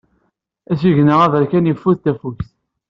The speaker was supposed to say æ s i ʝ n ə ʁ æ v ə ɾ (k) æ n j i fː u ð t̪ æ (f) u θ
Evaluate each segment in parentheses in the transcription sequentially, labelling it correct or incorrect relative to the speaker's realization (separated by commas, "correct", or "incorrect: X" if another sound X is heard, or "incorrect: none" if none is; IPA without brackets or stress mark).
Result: correct, correct